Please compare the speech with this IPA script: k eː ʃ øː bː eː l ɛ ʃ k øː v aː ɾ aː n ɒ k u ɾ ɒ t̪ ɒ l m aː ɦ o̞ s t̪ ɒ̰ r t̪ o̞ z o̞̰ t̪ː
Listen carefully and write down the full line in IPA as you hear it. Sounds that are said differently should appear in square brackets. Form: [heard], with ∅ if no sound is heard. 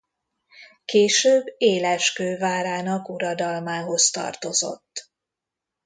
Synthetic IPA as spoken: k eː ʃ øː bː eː l ɛ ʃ k øː v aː ɾ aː n ɒ k u ɾ ɒ [d̪] ɒ l m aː ɦ o̞ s t̪ ɒ̰ r t̪ o̞ z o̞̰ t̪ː